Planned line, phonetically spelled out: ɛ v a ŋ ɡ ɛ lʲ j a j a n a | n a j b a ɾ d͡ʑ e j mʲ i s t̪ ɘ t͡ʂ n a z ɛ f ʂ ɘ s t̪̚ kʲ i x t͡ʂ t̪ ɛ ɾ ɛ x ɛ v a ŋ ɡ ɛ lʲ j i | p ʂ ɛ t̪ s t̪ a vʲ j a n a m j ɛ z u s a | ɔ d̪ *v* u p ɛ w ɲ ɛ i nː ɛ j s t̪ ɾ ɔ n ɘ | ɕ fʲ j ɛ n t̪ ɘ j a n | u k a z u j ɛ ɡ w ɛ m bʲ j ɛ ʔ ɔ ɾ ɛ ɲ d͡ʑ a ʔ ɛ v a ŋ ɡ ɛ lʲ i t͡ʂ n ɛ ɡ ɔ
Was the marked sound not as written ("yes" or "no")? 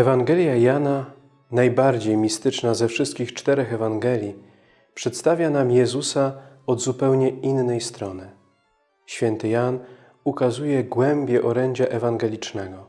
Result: yes